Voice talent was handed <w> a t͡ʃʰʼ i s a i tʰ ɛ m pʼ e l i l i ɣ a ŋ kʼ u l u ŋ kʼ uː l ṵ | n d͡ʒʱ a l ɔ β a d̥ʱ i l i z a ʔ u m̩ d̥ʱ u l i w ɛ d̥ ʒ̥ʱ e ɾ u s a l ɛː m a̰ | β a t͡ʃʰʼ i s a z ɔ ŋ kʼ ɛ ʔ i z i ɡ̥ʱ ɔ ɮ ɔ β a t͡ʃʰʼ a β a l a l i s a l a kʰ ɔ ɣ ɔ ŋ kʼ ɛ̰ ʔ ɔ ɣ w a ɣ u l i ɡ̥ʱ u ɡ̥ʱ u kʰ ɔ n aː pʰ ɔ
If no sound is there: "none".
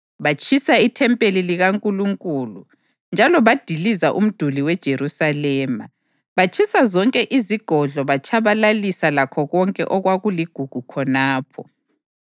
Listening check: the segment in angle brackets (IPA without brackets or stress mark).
β